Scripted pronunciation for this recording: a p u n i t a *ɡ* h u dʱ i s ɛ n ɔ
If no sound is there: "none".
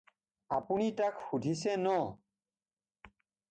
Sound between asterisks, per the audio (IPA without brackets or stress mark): k